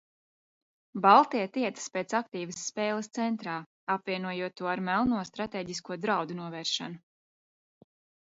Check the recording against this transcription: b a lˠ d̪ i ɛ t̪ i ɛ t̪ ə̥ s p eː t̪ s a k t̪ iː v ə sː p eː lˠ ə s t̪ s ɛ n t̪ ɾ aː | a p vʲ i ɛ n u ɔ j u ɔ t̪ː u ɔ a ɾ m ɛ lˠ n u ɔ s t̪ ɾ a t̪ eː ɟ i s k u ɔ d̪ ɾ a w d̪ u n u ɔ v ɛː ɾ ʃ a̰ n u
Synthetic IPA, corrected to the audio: b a lˠ t̪ i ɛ t̪ i ɛ t̪ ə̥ s p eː t̪ s a k t̪ iː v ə sː p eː lˠ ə s t̪ s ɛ n t̪ ɾ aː | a p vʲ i ɛ n u ɔ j u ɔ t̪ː u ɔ a ɾ m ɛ lˠ n u ɔ s t̪ ɾ a t̪ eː ɟ i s k u ɔ d̪ ɾ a w d̪ u n u ɔ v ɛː ɾ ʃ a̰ n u